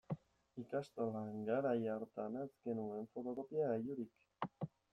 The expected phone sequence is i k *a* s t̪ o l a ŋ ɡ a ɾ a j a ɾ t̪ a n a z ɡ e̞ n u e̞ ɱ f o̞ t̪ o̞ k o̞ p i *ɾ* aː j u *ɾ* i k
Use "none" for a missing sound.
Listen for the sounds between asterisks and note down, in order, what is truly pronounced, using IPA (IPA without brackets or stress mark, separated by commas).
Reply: a, none, ɾ